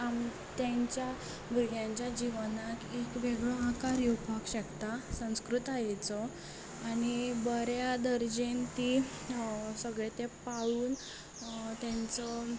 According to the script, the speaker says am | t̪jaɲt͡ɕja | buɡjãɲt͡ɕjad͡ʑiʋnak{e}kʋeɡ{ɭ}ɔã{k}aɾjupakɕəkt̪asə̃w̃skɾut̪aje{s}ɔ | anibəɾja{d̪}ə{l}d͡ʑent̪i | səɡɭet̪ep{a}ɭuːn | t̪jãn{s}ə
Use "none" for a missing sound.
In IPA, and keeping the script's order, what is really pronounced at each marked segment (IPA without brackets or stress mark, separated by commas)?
e, ɭ, k, t͡s, d̪, ɾ, a, t͡s